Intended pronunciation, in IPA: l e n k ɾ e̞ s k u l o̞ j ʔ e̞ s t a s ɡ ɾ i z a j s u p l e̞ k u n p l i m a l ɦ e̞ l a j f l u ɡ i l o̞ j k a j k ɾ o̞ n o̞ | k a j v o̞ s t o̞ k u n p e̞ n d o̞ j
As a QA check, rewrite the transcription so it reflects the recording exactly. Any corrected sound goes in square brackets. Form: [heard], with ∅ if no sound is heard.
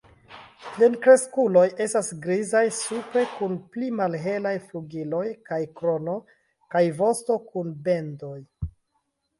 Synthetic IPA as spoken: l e n k ɾ e̞ s k u l o̞ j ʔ e̞ s t a s ɡ ɾ i z a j s u p [ɾ] e̞ k u n p l i m a l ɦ e̞ l a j f l u ɡ i l o̞ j k a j k ɾ o̞ n o̞ | k a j v o̞ s t o̞ k u n [b] e̞ n d o̞ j